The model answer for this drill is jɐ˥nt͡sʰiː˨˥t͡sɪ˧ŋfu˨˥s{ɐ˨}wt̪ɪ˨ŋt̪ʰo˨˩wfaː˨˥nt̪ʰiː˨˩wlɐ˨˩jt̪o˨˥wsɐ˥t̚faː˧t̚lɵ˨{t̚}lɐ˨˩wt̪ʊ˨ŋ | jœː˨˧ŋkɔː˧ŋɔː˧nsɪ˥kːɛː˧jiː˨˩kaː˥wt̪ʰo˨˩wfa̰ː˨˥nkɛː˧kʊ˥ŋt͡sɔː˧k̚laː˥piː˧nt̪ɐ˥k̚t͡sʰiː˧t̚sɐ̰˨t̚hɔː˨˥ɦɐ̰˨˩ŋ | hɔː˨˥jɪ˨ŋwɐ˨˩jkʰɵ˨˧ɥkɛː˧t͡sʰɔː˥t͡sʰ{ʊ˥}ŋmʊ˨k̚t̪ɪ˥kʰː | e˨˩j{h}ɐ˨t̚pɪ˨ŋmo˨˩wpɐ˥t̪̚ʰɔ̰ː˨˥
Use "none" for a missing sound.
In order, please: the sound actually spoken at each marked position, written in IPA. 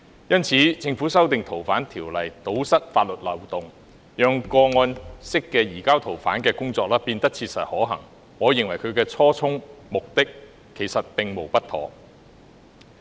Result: ɐ˥, t̚, ʊ˥, s

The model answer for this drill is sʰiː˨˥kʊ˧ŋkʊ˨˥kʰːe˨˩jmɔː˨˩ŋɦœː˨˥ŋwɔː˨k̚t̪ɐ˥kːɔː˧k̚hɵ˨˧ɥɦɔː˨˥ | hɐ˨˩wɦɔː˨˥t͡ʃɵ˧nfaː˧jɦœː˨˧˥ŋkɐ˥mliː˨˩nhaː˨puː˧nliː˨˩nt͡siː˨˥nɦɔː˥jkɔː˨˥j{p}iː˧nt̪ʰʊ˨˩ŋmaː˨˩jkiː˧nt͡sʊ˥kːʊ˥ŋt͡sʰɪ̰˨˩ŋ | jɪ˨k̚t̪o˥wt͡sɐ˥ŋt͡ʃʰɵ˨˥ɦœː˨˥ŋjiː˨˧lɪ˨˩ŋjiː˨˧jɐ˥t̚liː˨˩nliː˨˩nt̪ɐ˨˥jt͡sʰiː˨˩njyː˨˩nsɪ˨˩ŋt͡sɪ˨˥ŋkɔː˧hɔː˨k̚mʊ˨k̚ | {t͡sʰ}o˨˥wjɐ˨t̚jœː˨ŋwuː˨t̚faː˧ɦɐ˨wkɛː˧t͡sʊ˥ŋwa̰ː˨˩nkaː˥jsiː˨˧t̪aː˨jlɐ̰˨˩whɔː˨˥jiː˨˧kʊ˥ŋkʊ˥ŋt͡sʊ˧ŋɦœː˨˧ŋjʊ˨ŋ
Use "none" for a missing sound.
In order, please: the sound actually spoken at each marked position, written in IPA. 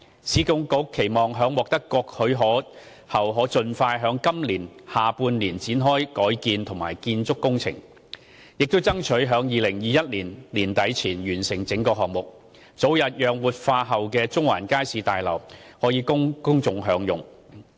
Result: k, t͡s

